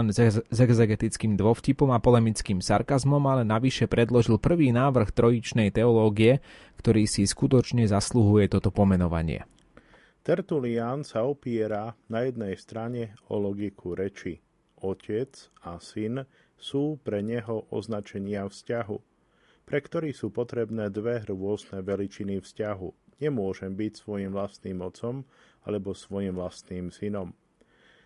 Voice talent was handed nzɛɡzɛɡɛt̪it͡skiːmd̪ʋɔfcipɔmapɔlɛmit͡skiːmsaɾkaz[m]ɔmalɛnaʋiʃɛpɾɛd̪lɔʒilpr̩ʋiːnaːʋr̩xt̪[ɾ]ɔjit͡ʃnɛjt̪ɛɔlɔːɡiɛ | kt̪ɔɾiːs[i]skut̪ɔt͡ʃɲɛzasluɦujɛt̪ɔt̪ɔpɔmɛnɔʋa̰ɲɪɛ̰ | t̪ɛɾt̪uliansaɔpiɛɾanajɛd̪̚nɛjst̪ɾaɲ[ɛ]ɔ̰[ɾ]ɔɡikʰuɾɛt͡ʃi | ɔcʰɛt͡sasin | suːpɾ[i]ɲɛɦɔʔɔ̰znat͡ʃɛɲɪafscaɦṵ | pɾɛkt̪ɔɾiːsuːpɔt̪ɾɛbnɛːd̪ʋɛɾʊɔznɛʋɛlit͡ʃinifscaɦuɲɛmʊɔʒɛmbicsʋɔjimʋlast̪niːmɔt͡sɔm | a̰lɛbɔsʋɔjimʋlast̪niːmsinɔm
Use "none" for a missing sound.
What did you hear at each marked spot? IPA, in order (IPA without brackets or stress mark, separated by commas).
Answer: m, ɾ, i, ɛ, l, ɛ